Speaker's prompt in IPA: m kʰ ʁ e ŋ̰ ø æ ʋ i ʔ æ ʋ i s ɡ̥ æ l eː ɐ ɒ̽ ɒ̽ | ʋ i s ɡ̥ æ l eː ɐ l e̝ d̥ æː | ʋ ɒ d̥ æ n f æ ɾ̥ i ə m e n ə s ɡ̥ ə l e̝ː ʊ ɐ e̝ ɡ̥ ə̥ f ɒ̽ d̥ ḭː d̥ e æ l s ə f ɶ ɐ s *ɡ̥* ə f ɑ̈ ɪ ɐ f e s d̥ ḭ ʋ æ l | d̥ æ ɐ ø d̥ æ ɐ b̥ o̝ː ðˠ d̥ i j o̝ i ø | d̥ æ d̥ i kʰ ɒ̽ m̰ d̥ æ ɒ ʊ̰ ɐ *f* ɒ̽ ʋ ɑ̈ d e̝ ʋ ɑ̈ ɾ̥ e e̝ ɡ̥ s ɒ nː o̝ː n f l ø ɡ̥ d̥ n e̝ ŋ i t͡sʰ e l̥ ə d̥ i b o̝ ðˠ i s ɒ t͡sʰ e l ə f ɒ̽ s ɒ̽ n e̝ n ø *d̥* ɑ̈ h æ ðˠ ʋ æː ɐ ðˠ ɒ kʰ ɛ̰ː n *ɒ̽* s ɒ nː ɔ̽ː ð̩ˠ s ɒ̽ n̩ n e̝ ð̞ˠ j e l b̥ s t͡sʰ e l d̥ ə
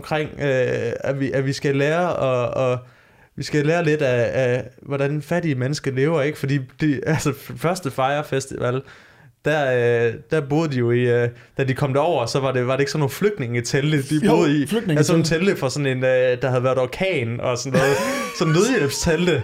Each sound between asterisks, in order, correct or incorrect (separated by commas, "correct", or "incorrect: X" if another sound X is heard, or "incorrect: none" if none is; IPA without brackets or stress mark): incorrect: d̥, incorrect: s, correct, correct